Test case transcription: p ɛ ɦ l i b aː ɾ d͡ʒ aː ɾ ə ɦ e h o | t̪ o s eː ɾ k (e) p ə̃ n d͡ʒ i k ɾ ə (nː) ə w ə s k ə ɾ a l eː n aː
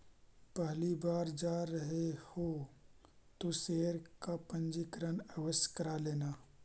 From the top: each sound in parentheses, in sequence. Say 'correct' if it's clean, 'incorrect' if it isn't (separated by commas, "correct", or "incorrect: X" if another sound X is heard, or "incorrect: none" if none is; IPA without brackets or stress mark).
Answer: incorrect: a, incorrect: n